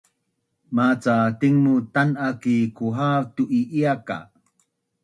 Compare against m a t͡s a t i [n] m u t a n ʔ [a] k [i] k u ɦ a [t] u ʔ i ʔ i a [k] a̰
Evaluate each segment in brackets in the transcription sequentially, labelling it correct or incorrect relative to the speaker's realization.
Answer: incorrect: ŋ, correct, correct, correct, correct

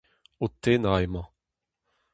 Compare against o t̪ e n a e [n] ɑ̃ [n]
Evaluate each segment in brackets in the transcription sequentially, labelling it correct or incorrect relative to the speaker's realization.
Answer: incorrect: m, incorrect: none

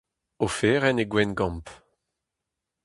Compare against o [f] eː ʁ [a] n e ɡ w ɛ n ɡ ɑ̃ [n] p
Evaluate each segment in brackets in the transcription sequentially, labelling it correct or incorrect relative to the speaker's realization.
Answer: correct, incorrect: ɛ, incorrect: m

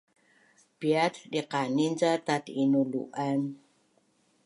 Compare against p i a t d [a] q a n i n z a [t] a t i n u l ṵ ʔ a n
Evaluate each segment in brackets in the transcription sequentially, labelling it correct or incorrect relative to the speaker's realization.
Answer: incorrect: i, correct

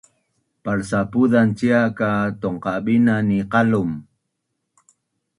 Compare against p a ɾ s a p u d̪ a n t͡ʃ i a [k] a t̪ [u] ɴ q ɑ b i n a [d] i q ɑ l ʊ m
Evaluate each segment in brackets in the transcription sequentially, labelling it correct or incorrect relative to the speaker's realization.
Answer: correct, incorrect: o, incorrect: n

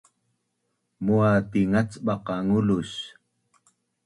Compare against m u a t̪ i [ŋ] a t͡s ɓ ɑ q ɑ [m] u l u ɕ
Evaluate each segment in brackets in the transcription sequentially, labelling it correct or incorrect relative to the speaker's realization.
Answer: correct, incorrect: ŋ

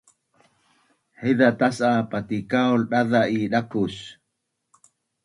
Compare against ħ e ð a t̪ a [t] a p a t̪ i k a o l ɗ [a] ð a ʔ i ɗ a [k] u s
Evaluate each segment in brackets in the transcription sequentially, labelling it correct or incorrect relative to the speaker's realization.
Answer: incorrect: s, correct, correct

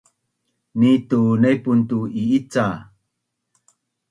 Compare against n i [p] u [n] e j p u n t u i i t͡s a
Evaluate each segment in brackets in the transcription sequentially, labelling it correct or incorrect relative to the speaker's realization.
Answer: incorrect: t, correct

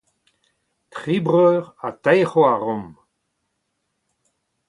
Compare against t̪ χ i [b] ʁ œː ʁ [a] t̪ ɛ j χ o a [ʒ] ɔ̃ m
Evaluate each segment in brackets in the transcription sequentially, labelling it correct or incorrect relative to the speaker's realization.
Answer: correct, correct, incorrect: ʁ

